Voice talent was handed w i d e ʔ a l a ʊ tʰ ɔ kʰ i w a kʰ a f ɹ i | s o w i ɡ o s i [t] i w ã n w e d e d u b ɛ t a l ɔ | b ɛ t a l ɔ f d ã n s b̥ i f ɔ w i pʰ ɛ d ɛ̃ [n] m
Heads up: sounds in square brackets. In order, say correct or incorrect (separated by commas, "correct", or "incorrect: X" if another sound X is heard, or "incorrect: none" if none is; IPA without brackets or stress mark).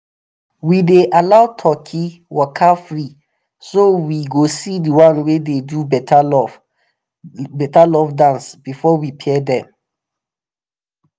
incorrect: d, incorrect: none